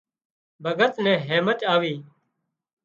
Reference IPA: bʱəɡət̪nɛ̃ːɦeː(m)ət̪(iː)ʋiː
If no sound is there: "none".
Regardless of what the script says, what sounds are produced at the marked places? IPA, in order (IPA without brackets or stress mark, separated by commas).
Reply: m, aː